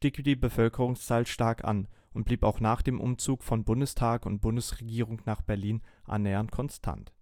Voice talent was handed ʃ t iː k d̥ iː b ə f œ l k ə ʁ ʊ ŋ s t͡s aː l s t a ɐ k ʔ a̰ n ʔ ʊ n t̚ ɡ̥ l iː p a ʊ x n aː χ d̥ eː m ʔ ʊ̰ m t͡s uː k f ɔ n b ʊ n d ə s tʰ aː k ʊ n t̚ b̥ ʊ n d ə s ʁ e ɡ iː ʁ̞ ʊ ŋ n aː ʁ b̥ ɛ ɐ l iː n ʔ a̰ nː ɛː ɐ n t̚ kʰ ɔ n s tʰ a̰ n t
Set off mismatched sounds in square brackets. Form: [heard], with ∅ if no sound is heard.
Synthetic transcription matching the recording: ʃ t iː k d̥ iː b ə f œ l k ə ʁ ʊ ŋ s t͡s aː l [ʃ] t a ɐ k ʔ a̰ n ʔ ʊ n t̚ [b̥] l iː p a ʊ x n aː χ d̥ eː m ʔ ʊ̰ m t͡s uː k f ɔ n b ʊ n d ə s tʰ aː k ʊ n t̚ b̥ ʊ n d ə s ʁ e ɡ iː ʁ̞ ʊ ŋ n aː [χ] b̥ ɛ ɐ l iː n ʔ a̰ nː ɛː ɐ n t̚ kʰ ɔ n s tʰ a̰ n t